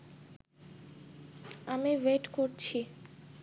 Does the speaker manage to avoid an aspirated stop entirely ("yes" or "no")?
no